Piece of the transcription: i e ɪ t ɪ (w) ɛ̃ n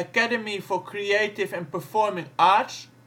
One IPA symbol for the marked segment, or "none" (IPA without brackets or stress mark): v